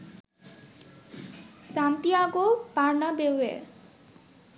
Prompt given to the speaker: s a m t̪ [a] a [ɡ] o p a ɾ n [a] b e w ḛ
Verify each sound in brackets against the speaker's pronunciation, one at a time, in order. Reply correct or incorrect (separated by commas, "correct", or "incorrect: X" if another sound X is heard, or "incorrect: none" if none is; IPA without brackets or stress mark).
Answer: incorrect: i, correct, correct